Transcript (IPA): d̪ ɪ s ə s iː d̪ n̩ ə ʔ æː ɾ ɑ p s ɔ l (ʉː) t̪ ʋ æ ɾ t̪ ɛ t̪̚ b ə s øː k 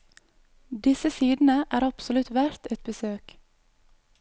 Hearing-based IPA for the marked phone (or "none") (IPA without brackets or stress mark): ʉ